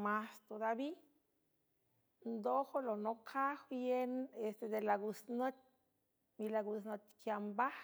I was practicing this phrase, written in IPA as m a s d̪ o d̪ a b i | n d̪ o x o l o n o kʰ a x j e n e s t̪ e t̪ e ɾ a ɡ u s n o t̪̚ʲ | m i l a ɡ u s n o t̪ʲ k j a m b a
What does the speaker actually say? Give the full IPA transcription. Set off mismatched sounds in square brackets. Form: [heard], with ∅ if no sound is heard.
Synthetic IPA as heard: m a s [t̪] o d̪ a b i | n d̪ o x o l o n o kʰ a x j e n e s t̪ e [d̪] e [l] a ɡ u s n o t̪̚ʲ | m i l a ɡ u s n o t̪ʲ k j a m b a